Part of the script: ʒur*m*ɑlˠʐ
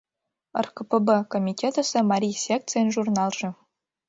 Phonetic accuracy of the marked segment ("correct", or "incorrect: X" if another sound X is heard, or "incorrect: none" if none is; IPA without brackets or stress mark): incorrect: n